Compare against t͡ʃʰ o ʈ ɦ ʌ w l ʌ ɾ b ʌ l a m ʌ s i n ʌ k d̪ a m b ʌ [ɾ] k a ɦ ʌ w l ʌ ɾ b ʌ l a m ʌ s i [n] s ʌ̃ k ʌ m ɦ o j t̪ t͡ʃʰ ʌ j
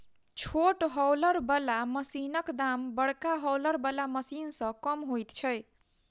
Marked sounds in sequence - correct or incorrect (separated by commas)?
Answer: incorrect, correct